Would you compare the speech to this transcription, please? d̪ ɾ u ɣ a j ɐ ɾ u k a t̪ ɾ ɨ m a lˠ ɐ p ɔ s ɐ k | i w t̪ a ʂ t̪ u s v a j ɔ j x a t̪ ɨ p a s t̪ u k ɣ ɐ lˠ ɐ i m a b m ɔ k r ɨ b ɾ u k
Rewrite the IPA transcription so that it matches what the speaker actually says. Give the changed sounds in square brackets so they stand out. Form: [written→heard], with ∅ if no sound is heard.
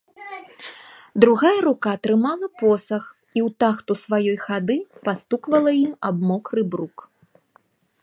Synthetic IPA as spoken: d̪ ɾ u ɣ a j ɐ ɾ u k a t̪ ɾ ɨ m a lˠ ɐ p ɔ s ɐ [k→x] | i w t̪ a [ʂ→x] t̪ u s v a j ɔ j x a [t̪→d̪] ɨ p a s t̪ u k [ɣ→v] ɐ lˠ ɐ i m a b m ɔ k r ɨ b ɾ u k